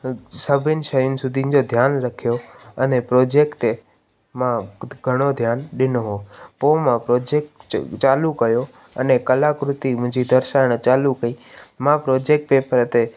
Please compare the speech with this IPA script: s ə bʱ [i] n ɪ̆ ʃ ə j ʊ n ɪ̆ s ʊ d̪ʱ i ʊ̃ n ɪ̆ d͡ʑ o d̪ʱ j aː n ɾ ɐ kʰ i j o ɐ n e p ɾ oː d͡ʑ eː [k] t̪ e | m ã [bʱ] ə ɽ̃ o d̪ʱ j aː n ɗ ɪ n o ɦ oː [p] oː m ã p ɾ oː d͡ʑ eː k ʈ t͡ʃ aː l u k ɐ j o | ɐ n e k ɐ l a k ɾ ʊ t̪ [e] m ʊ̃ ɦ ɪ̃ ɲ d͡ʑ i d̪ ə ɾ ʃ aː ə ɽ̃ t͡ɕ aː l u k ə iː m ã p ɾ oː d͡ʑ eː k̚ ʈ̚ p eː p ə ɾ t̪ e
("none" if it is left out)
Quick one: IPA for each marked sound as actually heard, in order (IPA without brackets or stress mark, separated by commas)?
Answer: ɪ, k, ɡʱ, p, i